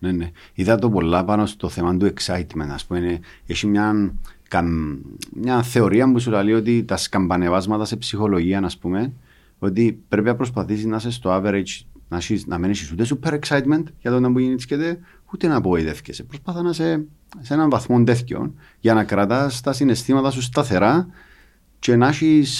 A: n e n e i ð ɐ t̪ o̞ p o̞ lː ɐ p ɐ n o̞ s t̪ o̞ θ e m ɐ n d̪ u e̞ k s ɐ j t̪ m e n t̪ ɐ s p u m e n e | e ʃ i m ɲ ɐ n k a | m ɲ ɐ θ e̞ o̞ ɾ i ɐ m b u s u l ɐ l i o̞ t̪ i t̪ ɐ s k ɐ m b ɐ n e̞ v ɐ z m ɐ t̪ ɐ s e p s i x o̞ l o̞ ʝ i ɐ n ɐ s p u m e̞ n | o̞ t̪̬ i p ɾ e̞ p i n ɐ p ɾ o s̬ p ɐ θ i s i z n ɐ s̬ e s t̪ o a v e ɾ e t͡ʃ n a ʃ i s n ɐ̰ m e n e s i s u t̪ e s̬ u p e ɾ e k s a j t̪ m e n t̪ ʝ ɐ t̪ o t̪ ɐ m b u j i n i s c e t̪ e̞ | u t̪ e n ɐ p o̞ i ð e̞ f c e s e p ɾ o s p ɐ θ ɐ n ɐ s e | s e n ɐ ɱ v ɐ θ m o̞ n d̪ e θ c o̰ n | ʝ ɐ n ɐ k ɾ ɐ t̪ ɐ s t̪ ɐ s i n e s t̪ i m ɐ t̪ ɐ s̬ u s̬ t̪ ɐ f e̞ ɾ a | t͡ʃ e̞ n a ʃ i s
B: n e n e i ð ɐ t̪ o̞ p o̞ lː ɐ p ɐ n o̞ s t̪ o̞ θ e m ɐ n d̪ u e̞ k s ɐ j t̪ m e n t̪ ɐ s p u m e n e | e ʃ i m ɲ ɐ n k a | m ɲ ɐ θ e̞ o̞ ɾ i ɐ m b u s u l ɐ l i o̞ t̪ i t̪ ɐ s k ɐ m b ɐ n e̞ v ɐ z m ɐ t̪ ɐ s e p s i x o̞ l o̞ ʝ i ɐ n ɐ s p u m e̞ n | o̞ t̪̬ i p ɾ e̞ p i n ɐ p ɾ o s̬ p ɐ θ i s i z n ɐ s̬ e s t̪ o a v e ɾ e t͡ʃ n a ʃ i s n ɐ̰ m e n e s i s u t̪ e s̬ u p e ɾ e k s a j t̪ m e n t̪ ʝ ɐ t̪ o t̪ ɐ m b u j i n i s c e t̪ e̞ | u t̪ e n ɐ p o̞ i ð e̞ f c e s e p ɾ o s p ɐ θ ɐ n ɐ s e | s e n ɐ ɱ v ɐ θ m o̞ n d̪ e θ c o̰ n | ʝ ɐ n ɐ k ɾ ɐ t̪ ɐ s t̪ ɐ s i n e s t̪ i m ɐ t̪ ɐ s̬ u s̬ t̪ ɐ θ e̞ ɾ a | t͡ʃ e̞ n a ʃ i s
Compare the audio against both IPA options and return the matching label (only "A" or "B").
B